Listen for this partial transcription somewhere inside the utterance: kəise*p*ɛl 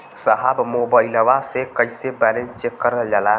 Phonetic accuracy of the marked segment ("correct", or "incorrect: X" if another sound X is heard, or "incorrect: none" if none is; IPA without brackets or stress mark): incorrect: b